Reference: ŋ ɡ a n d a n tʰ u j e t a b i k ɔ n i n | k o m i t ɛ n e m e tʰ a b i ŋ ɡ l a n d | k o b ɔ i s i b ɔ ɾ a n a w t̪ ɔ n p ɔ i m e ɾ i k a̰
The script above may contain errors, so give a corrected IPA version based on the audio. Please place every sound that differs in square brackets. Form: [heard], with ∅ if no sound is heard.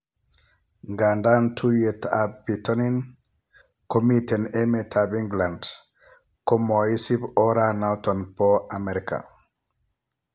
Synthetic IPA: ŋ ɡ a n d a n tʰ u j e t a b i [t] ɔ n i n | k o m i t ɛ n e m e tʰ a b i ŋ ɡ l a n d | k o [m] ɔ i s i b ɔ ɾ a n a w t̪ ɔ n p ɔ [a] m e ɾ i k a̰